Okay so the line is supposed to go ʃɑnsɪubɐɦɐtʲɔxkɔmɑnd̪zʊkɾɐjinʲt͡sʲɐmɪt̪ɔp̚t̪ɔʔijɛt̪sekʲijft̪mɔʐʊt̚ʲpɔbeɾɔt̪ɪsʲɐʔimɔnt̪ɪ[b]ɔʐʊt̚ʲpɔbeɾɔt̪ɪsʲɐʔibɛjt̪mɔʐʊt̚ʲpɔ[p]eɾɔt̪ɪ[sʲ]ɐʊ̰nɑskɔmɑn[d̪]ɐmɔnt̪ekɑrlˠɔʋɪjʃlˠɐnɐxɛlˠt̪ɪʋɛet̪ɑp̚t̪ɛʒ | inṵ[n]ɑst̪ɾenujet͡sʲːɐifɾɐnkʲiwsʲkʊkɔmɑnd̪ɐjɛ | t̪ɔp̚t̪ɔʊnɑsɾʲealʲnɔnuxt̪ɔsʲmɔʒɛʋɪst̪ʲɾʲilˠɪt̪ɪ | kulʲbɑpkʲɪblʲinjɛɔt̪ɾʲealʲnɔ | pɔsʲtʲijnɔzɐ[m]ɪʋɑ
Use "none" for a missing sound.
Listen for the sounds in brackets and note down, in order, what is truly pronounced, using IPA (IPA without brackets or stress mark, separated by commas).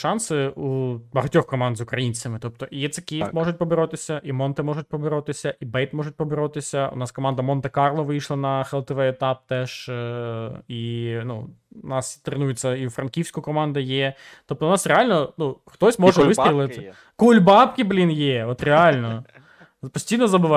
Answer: m, b, sʲ, d̪, n, b